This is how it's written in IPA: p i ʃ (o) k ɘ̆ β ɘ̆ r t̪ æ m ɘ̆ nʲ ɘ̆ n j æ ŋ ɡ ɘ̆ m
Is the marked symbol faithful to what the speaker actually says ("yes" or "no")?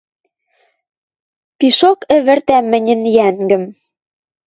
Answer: yes